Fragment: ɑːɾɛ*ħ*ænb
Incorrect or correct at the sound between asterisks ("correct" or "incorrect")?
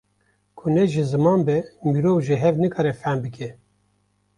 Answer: incorrect